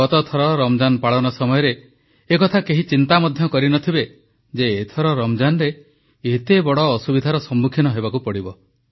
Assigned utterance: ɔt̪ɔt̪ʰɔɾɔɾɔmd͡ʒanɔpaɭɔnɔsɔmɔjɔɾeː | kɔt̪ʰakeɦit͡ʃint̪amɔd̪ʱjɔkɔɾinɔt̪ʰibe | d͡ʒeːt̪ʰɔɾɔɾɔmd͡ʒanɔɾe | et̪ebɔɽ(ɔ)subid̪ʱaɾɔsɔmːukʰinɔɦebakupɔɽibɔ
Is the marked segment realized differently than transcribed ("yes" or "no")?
yes